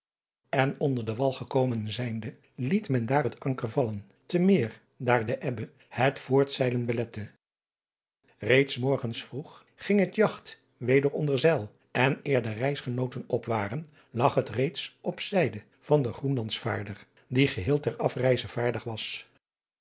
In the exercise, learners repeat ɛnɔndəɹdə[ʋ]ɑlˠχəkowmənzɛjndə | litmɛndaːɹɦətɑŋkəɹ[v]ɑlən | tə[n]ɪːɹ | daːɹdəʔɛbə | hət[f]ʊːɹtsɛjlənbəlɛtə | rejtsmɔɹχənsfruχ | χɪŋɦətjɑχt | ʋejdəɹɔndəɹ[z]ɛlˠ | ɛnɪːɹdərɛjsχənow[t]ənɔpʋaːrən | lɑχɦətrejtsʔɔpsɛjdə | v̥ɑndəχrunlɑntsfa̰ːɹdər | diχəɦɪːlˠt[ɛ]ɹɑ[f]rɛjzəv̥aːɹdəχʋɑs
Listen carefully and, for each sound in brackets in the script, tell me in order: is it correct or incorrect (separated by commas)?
correct, correct, incorrect, correct, correct, correct, correct, correct